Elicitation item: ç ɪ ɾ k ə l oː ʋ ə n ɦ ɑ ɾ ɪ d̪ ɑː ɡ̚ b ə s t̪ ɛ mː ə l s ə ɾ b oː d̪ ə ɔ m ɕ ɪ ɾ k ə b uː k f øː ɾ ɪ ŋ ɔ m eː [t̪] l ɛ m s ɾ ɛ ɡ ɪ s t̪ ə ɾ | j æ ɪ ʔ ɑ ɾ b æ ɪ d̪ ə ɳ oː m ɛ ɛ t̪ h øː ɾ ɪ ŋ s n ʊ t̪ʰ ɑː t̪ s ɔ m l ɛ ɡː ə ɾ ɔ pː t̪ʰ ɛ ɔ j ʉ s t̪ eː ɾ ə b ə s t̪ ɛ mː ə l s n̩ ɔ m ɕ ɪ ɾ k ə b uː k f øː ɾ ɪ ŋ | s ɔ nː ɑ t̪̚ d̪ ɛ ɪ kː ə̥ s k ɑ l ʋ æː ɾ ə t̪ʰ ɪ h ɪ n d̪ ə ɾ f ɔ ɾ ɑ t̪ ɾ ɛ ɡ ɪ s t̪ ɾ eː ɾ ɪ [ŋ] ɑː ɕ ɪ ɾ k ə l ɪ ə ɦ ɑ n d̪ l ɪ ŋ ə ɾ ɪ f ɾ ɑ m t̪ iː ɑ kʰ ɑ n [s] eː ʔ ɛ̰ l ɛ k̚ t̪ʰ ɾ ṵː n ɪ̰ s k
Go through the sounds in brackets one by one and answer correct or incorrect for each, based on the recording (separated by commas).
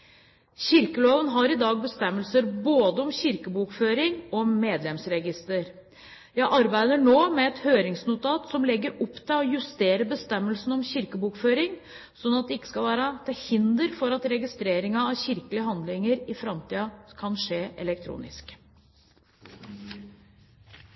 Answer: incorrect, correct, incorrect